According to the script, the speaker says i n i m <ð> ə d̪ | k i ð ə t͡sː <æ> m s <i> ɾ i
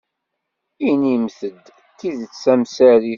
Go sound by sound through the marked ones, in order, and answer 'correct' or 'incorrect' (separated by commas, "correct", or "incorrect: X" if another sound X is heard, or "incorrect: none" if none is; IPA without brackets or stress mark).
incorrect: θ, correct, incorrect: æ